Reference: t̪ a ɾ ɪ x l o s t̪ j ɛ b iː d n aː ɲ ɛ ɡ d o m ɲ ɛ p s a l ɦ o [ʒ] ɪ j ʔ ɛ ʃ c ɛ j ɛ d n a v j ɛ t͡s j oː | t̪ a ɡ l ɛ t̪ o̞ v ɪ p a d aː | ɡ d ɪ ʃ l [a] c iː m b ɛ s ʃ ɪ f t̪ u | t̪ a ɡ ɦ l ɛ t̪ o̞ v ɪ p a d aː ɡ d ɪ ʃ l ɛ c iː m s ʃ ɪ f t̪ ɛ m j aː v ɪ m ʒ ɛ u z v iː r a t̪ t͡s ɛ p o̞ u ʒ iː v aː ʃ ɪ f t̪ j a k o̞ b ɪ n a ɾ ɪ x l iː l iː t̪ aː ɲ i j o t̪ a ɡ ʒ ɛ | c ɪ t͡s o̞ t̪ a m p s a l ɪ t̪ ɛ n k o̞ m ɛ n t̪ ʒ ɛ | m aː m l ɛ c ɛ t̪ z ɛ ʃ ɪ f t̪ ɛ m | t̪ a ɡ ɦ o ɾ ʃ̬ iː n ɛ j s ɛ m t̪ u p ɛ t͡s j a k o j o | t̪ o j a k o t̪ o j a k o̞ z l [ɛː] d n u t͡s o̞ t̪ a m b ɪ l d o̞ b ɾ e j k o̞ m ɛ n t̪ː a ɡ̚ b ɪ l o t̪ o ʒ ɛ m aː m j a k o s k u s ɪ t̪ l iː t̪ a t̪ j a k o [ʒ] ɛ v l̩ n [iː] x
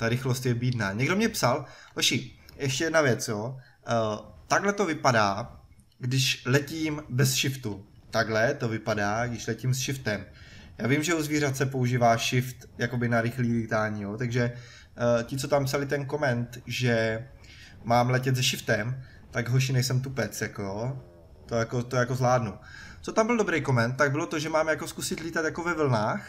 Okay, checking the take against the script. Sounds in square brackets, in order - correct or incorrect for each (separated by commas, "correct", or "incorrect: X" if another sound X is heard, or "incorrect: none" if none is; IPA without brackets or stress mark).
incorrect: ʃ, incorrect: ɛ, incorrect: aː, incorrect: v, incorrect: aː